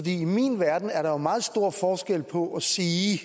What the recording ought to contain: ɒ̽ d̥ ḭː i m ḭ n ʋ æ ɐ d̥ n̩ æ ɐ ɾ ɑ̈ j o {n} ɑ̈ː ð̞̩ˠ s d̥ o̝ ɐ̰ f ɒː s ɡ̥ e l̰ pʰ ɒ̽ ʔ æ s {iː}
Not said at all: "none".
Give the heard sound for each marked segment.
m, iː

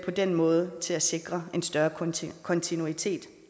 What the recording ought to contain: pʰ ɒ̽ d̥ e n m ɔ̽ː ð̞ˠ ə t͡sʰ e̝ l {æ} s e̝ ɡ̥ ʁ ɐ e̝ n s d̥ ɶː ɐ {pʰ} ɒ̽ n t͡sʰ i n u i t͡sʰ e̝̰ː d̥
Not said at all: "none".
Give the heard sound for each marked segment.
æ, kʰ

